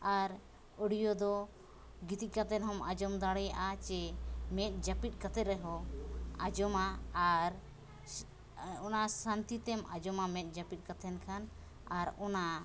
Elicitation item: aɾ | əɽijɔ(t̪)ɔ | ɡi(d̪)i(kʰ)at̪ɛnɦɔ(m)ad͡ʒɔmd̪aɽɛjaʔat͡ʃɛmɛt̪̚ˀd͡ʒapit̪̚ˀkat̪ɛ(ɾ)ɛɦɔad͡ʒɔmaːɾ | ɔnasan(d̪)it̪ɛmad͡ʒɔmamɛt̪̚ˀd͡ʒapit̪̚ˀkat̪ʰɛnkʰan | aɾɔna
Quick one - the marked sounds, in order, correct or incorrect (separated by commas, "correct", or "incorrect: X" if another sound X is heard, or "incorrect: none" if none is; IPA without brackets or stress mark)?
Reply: incorrect: d̪, incorrect: t̪, incorrect: k, correct, correct, incorrect: t̪